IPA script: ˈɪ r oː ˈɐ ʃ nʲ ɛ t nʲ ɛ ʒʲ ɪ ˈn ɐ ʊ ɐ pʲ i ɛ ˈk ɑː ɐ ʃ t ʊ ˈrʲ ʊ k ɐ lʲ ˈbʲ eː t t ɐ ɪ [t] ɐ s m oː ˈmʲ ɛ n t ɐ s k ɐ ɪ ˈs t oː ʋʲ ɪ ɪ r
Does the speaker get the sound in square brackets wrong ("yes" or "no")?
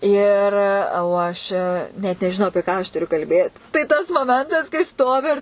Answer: no